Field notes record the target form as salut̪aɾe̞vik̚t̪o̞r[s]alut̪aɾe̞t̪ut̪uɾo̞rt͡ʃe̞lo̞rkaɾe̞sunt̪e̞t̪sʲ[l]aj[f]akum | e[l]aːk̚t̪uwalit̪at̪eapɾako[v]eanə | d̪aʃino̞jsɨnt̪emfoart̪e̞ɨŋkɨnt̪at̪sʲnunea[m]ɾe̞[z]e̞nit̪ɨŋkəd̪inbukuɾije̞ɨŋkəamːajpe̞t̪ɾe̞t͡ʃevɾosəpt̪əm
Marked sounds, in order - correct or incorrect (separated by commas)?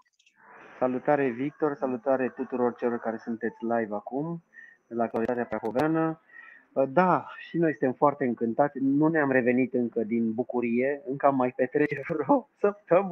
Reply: correct, correct, incorrect, correct, correct, correct, incorrect